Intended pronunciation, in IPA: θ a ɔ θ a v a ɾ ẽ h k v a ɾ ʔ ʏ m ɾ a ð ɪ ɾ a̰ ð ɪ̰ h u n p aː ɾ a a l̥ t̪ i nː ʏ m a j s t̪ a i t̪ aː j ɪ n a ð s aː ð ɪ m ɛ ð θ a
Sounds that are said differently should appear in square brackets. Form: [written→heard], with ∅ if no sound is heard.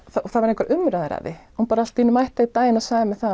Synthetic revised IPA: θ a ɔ θ a v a ɾ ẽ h k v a ɾ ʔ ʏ m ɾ a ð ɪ ɾ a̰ ð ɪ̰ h u n p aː ɾ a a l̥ t̪ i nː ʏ m a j [s→h] t̪ a i t̪ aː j ɪ n a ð s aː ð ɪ m ɛ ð θ a